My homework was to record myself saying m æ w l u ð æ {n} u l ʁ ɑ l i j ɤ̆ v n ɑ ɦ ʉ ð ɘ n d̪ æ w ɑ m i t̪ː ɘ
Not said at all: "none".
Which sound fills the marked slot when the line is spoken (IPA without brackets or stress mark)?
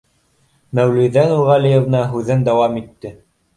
n